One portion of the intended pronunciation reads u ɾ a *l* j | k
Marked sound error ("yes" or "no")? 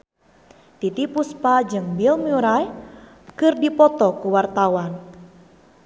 yes